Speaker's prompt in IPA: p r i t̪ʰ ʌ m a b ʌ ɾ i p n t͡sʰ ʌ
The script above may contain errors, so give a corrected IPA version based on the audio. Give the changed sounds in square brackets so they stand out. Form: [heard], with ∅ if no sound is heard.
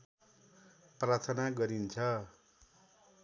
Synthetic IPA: p r [a] t̪ʰ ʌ [n] a [ɡ] ʌ ɾ i [∅] n t͡sʰ ʌ